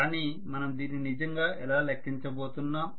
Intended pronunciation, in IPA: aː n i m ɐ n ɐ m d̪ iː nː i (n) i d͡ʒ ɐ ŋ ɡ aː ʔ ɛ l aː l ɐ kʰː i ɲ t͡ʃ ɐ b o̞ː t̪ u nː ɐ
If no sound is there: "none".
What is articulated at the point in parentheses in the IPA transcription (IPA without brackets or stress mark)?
n